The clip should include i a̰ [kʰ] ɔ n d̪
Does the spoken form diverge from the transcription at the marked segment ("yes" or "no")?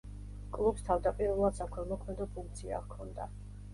no